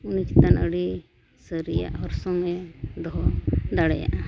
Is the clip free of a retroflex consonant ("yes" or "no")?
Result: no